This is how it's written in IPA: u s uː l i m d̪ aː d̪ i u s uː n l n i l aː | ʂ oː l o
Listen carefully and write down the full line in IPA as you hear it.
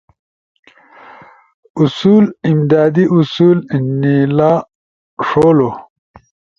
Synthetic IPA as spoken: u s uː l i m d̪ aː d̪ i u s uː l n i l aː | ʂ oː l o